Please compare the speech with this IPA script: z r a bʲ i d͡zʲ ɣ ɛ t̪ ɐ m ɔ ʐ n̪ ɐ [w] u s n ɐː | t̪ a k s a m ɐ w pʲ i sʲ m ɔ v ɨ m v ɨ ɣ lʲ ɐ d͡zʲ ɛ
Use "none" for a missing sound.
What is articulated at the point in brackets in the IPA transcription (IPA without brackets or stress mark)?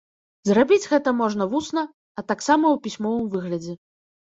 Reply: v